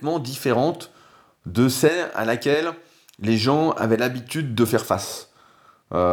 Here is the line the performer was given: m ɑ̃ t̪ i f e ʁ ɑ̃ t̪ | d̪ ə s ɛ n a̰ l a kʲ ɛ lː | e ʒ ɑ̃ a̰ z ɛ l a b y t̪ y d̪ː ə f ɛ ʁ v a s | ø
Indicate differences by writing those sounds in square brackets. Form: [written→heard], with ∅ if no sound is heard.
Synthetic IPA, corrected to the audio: m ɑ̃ [t̪→d̪] i f e ʁ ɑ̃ t̪ | d̪ ə s ɛ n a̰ l a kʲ ɛ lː | e ʒ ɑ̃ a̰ [z→v] ɛ l a b [y→i] t̪ y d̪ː ə f ɛ ʁ [v→f] a s | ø